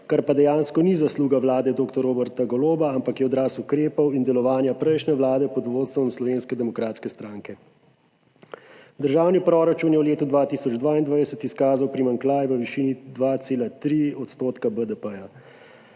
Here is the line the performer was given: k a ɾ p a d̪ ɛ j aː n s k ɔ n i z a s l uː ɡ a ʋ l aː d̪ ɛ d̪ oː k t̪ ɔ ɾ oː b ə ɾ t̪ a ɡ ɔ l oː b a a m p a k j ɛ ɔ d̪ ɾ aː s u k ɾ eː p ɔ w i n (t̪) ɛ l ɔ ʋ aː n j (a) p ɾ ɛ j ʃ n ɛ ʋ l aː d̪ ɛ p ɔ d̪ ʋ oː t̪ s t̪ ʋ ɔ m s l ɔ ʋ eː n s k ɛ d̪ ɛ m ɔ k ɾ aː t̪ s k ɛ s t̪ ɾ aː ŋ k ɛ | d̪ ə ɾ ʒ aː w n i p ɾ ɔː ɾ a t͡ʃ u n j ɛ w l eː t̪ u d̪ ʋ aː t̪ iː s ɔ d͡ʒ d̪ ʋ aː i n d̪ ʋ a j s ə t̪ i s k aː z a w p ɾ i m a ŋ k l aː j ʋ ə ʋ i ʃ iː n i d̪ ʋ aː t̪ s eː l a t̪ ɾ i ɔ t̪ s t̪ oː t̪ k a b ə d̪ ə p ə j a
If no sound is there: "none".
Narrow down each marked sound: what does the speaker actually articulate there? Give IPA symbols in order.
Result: d̪, a

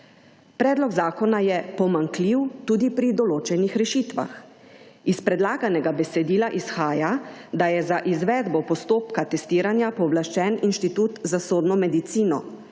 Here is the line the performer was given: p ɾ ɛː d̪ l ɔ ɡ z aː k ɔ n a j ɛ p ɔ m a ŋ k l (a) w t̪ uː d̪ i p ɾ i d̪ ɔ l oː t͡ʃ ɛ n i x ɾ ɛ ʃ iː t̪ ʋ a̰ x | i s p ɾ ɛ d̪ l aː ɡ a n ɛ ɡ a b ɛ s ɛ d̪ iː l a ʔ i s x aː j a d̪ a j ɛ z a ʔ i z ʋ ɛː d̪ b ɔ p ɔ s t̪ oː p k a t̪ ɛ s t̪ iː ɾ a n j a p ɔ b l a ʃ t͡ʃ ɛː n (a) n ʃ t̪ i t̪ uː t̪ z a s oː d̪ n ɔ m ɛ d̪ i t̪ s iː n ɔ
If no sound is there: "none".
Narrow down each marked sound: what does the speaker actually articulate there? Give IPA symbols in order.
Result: i, i

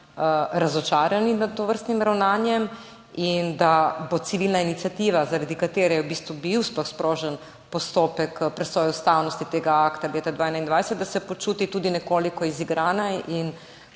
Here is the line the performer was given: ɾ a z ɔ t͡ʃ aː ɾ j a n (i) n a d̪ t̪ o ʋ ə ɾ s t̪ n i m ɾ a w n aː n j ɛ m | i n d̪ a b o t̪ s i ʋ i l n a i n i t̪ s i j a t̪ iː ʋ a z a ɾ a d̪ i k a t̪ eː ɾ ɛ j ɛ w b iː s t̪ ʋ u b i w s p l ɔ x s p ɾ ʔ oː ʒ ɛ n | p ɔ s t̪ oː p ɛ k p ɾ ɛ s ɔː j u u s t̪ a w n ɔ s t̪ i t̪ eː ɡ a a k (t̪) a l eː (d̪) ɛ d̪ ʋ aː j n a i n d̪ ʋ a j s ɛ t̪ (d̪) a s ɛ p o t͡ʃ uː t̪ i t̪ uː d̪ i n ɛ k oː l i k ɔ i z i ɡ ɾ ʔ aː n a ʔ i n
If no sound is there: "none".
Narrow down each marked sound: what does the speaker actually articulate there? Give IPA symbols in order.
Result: i, t̪, t̪, d̪

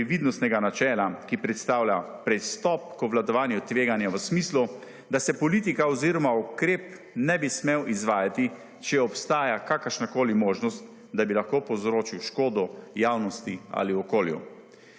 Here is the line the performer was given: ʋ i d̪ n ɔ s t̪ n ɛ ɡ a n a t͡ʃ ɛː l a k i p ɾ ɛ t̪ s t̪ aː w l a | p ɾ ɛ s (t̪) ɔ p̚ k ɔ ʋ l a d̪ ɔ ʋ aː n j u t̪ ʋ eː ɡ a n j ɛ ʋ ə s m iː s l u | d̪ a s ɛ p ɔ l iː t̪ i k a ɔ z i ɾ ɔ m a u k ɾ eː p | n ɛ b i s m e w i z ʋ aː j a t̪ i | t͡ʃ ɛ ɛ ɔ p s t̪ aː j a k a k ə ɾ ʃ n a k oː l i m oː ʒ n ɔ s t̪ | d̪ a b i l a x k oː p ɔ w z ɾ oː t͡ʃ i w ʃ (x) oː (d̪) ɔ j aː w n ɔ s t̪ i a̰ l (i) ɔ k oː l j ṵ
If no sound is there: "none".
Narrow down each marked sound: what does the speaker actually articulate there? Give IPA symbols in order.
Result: t̪, k, d̪, i

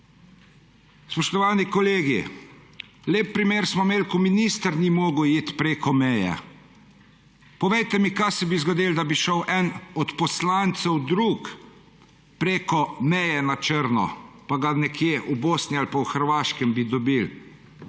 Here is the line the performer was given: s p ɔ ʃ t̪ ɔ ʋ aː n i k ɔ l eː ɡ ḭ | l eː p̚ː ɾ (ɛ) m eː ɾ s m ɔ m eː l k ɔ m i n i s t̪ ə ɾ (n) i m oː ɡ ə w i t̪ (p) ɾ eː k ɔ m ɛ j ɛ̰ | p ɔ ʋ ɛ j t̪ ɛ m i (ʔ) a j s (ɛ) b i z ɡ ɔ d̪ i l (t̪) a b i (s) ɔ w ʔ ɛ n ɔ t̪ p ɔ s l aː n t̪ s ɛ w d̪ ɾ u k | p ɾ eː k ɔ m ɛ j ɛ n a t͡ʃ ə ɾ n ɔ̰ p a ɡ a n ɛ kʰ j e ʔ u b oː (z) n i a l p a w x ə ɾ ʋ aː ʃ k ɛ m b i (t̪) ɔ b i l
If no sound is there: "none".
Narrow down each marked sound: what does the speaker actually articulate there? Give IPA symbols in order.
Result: i, n, p, k, ɛ, d̪, ʃ, s, d̪

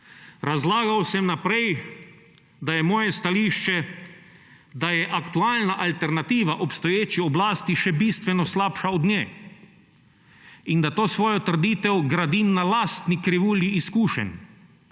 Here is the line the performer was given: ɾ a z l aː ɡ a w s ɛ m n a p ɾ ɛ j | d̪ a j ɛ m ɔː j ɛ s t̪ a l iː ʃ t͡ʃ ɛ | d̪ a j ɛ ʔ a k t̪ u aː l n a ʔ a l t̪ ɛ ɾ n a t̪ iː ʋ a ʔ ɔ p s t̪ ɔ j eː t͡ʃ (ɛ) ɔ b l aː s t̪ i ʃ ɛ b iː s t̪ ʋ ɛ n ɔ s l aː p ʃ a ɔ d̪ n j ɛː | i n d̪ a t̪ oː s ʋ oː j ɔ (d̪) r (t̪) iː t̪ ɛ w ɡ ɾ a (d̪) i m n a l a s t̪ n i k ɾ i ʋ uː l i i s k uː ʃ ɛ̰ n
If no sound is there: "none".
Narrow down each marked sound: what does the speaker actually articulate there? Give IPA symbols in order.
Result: i, t̪, d̪, d̪

